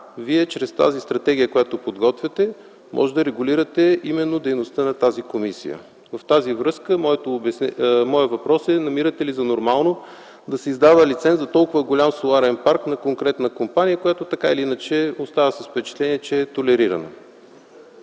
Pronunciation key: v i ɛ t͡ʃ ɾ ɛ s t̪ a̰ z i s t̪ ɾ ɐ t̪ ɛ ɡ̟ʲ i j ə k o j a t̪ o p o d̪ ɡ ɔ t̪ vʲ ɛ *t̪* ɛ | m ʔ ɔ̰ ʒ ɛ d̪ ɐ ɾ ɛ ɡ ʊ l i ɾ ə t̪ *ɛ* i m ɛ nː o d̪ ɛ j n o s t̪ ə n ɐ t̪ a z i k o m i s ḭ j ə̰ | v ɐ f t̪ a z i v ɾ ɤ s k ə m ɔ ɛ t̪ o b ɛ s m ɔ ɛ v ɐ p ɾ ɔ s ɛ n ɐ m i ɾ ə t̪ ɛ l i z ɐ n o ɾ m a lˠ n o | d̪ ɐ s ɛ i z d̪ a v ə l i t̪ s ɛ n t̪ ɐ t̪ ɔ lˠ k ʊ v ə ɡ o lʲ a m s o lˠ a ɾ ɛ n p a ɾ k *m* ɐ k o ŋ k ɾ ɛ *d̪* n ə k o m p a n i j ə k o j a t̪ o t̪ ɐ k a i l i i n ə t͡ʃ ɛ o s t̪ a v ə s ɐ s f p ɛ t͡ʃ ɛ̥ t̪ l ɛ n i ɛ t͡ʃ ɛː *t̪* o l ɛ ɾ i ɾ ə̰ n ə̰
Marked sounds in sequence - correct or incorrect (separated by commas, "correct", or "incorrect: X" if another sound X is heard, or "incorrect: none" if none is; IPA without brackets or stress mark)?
correct, correct, incorrect: n, incorrect: t̪, correct